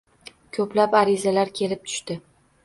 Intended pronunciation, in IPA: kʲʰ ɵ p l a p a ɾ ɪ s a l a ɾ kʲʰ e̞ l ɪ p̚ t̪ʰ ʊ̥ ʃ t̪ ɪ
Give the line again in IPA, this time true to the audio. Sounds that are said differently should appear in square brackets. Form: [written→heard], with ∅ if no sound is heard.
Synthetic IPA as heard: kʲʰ ɵ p l a p a ɾ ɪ [s→z] a l a ɾ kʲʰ e̞ l ɪ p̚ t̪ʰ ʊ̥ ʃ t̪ ɪ